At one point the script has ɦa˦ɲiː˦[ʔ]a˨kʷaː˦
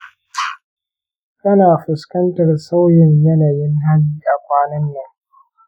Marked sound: correct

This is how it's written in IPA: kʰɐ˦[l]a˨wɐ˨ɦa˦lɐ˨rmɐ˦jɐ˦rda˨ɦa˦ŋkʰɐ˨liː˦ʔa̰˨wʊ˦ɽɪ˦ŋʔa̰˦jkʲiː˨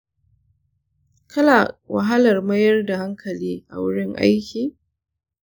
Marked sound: correct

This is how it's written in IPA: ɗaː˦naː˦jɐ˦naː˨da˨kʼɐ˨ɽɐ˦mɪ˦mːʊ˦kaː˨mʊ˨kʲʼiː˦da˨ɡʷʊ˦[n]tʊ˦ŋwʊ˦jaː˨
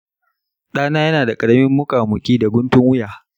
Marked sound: correct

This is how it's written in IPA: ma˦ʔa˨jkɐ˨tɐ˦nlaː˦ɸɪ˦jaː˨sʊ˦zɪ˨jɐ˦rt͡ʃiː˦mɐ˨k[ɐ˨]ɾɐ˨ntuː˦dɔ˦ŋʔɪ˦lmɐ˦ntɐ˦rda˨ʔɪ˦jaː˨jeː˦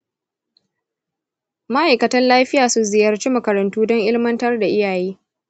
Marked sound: correct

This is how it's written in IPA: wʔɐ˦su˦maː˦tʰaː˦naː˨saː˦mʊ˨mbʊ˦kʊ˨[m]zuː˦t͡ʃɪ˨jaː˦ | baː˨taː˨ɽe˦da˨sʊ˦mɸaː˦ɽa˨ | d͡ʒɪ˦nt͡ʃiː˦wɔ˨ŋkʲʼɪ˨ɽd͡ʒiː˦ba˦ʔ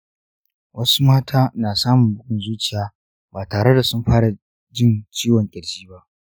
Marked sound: incorrect: n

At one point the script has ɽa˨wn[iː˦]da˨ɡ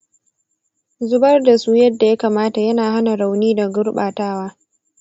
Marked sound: correct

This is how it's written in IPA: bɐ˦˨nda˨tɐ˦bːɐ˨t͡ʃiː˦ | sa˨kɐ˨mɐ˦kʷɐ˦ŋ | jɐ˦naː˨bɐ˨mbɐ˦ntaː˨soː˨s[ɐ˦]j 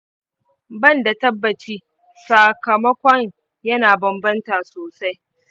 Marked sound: incorrect: a˦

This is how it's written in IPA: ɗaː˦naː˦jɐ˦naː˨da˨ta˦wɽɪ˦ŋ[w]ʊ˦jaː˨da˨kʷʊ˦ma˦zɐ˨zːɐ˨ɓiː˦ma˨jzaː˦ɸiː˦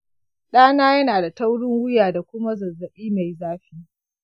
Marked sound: correct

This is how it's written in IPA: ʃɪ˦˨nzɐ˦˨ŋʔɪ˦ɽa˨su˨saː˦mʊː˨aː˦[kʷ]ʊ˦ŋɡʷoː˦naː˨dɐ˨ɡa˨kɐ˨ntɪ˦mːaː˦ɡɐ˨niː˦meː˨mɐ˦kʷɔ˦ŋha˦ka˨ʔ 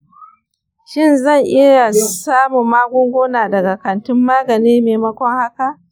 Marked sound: incorrect: ɡʷ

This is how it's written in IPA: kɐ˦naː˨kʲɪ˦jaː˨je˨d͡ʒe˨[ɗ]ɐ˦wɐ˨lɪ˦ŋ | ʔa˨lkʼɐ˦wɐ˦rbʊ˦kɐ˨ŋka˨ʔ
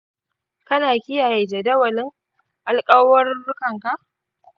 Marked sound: incorrect: d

